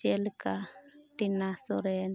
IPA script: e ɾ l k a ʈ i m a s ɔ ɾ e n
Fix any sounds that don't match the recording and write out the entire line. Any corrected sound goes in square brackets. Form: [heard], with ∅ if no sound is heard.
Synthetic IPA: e [∅] l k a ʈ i [n] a s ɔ ɾ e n